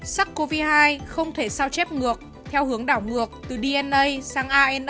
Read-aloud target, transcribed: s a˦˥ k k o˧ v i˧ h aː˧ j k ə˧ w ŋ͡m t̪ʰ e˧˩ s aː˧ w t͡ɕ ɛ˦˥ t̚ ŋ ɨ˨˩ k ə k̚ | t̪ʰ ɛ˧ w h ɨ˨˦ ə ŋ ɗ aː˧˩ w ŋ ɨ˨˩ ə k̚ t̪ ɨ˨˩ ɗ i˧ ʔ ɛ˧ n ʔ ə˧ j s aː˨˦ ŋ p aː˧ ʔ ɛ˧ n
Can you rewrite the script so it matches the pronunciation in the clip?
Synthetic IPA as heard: s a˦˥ k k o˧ v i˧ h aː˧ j x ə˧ w ŋ͡m t̪ʰ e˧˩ s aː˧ w t͡ɕ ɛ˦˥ p̚ ŋ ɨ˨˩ ə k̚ | t̪ʰ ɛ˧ w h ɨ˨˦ ə ŋ ɗ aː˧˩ w ŋ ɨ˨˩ ə k̚ t̪ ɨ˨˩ ɗ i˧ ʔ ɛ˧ n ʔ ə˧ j s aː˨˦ ŋ ʔ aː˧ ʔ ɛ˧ n